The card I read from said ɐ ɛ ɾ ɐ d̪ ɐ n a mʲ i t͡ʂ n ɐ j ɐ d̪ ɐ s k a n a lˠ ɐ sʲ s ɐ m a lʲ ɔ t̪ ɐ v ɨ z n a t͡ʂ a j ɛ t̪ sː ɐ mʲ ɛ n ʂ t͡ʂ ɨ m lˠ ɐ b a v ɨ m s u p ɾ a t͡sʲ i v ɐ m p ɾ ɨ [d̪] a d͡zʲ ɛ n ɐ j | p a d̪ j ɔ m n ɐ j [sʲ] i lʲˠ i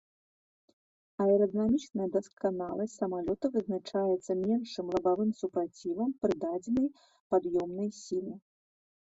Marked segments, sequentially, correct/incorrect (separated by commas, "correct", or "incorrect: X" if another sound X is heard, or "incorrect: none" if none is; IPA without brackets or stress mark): correct, correct